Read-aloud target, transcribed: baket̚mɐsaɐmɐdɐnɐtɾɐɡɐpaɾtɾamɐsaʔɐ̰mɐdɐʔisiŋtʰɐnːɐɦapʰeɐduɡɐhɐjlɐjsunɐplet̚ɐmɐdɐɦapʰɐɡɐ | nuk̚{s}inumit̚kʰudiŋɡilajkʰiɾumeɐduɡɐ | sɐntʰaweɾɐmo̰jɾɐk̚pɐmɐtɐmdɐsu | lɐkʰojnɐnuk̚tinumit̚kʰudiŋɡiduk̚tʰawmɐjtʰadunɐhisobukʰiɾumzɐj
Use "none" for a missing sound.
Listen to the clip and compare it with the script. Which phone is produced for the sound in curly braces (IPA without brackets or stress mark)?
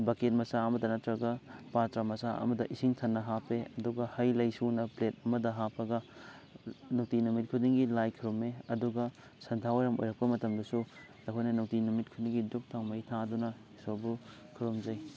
t